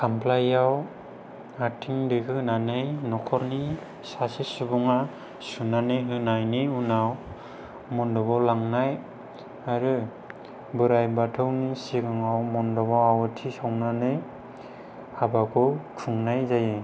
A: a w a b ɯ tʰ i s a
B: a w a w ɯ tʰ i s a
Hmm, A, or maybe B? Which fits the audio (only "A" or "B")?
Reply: B